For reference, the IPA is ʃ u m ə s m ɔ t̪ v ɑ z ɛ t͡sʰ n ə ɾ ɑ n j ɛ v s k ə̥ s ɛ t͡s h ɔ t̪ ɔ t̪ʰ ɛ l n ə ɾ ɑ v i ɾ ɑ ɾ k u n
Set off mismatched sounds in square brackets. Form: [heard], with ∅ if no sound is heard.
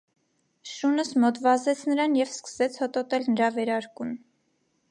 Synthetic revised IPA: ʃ u [n] ə s m ɔ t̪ v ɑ z ɛ t͡sʰ n ə ɾ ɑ n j ɛ v s k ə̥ s ɛ [t͡sʰ] h ɔ t̪ ɔ [t̪] ɛ l n ə ɾ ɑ v [ɛ] ɾ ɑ ɾ k u n